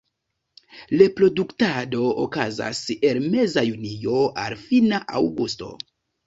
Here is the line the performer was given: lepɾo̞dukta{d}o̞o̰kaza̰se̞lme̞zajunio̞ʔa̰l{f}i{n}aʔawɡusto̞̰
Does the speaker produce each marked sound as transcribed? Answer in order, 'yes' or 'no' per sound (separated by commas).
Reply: yes, yes, yes